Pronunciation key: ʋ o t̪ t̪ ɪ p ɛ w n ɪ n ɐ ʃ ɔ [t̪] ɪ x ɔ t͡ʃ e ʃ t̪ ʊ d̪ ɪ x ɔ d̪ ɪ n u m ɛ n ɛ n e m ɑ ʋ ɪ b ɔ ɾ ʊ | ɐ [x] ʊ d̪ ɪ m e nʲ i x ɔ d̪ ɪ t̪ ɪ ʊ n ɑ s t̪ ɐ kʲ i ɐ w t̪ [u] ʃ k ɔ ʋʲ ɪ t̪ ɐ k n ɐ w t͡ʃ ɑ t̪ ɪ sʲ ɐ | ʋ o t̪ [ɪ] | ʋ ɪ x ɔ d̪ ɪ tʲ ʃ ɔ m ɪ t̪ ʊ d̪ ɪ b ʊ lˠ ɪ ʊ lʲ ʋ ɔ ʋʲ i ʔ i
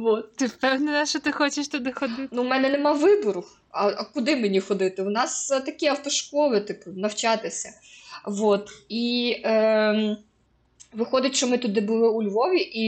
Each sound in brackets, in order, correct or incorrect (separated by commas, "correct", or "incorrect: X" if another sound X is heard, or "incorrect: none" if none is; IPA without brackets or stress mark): correct, incorrect: k, incorrect: ɔ, incorrect: i